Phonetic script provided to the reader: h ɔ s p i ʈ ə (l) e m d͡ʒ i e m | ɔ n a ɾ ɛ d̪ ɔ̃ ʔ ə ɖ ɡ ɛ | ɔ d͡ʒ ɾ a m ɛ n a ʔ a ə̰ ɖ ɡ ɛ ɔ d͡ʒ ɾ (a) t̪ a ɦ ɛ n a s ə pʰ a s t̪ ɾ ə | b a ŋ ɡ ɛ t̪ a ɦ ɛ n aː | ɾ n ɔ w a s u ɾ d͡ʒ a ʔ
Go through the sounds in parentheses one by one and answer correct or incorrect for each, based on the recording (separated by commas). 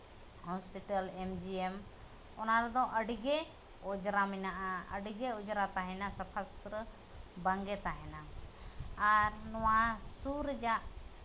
correct, correct